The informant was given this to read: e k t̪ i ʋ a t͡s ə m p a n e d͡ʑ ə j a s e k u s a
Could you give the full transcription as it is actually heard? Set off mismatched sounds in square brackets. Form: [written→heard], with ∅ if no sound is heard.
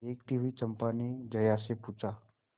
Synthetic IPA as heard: e k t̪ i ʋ [a→i] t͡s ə m p a n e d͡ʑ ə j a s e [k→p] u [s→t͡s] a